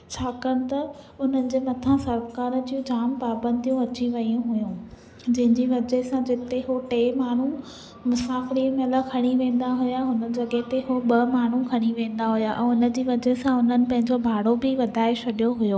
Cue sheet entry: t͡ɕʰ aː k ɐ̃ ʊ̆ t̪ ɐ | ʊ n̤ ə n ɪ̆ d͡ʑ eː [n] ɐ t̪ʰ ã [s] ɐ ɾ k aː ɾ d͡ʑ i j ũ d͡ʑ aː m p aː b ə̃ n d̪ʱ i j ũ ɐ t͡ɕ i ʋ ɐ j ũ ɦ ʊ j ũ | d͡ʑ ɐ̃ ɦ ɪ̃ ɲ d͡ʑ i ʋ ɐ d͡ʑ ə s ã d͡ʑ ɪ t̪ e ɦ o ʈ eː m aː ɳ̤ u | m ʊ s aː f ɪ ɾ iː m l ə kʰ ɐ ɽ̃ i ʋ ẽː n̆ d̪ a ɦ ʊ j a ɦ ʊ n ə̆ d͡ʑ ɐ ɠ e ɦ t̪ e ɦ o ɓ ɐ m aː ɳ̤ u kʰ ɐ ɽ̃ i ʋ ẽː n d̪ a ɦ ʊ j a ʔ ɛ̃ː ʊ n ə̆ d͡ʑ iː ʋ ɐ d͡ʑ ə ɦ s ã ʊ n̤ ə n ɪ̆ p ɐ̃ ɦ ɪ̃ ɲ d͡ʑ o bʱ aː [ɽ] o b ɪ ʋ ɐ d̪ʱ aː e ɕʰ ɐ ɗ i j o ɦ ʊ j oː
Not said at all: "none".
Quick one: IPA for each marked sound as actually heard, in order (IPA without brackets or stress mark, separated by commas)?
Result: m, s, ɽ